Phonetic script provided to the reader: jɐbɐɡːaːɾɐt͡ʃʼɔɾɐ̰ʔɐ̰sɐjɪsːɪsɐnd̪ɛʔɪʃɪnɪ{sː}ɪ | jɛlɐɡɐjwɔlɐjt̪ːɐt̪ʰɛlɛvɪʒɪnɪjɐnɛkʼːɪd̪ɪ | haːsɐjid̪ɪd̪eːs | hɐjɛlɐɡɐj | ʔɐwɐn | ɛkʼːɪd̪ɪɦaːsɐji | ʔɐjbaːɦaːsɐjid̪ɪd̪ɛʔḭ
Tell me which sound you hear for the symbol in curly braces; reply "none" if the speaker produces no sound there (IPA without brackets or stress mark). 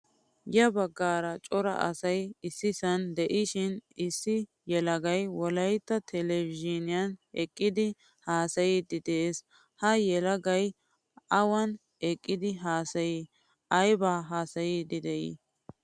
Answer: sː